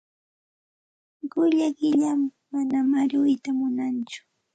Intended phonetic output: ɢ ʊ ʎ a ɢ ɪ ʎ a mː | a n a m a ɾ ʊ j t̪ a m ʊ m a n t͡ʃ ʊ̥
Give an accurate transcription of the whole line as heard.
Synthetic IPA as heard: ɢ ʊ ʎ a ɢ ɪ ʎ a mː | a n a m a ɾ ʊ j t̪ a m ʊ n a n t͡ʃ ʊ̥